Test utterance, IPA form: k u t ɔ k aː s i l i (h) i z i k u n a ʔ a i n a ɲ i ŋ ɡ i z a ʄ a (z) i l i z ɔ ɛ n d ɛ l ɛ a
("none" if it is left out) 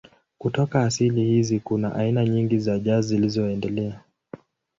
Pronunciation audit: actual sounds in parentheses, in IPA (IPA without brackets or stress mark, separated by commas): h, z